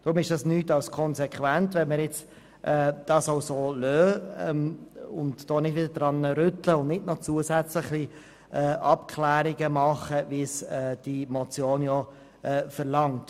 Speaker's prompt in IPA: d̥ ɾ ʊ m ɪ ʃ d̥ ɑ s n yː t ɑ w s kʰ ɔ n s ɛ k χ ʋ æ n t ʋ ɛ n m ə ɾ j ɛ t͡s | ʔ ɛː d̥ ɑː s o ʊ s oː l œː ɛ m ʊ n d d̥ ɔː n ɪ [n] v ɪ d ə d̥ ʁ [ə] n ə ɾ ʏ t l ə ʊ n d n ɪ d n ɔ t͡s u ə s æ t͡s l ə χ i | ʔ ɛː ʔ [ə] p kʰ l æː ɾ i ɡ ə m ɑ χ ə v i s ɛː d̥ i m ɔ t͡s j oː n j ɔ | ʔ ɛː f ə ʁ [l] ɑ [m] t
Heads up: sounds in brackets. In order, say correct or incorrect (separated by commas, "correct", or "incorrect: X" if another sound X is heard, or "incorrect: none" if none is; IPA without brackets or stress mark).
incorrect: d, incorrect: ɑ, incorrect: ɑ, correct, incorrect: ŋ